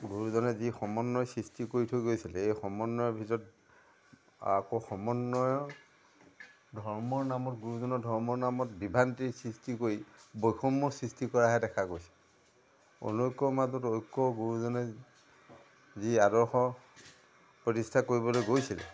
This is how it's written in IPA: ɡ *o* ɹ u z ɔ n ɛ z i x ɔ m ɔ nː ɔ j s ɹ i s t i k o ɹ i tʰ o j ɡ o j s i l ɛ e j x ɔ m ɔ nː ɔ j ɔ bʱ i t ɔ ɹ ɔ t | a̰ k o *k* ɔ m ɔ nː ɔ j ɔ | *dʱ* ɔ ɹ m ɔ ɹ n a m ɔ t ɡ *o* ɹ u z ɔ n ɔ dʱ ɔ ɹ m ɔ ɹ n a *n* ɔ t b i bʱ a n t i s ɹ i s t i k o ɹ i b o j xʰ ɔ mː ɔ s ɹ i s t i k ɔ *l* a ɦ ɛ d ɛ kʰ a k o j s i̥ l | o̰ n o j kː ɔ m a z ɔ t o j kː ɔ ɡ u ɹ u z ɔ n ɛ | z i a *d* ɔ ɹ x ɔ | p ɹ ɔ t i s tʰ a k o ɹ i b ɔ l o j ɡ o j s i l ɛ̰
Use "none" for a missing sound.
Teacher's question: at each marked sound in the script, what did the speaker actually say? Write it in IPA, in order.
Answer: u, x, dʱ, u, m, ɹ, d

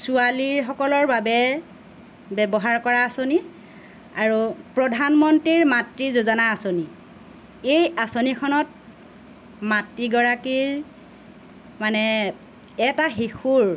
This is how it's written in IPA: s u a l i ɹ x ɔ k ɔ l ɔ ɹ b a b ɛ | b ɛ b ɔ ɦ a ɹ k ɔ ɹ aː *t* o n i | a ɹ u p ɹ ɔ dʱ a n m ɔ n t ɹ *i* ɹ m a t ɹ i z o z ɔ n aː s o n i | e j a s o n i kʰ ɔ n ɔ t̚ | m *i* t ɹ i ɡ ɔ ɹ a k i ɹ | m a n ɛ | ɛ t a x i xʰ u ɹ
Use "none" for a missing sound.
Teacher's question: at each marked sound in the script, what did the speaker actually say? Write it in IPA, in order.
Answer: s, i, a

